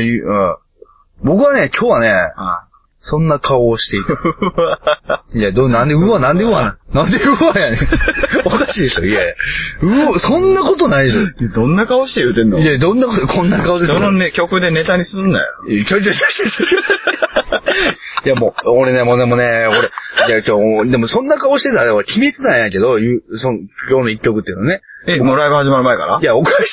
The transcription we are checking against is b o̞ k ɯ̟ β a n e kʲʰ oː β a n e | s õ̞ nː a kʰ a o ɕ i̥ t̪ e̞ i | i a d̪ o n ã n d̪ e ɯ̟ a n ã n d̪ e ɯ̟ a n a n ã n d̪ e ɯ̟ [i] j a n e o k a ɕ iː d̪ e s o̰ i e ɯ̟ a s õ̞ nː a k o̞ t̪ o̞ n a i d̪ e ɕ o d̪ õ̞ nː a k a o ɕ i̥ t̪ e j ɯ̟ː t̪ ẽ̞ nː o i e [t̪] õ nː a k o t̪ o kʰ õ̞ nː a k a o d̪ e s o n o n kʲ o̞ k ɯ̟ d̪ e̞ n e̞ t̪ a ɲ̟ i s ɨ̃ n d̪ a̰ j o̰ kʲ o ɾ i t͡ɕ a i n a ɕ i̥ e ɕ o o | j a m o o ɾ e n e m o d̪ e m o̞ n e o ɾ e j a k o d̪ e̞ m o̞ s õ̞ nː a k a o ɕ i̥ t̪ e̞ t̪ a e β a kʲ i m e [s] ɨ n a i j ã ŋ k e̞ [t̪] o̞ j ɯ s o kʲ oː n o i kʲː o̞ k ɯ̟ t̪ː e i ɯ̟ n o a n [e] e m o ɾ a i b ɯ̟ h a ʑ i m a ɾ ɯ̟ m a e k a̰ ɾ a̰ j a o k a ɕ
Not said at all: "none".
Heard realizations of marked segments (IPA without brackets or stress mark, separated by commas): a, d̪, t͡s, d̪, e